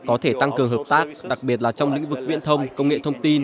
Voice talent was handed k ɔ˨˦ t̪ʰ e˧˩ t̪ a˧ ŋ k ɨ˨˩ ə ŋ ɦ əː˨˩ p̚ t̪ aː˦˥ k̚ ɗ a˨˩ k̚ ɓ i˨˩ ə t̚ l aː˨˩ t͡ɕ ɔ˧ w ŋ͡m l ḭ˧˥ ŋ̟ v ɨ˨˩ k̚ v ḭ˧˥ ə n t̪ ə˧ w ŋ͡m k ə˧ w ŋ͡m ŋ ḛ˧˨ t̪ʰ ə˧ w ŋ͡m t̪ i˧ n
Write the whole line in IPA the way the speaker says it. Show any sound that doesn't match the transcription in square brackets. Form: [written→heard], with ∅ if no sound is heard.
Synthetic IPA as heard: k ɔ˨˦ t̪ʰ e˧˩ t̪ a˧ ŋ k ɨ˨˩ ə ŋ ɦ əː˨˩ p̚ t̪ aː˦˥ k̚ ɗ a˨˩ k̚ ɓ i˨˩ ə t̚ l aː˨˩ t͡ɕ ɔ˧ w ŋ͡m l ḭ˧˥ ŋ̟ v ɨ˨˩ k̚ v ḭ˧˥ ə n [t̪→t̪ʰ] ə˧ w ŋ͡m k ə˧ w ŋ͡m ŋ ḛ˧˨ t̪ʰ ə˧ w ŋ͡m t̪ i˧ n